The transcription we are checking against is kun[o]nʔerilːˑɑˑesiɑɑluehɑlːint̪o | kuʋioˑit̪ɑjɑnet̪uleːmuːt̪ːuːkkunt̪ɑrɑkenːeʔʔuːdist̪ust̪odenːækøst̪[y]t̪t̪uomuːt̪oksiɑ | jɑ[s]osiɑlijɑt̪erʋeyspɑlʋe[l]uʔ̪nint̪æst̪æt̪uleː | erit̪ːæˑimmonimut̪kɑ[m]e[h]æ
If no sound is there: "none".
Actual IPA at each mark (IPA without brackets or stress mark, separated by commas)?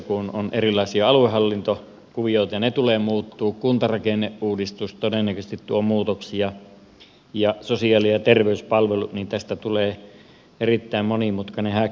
o, i, s, l, n, h